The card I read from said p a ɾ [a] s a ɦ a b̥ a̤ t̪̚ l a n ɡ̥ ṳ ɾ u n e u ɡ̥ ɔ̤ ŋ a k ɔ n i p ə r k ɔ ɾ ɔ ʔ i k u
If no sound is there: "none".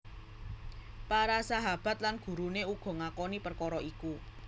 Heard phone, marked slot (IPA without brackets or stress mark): a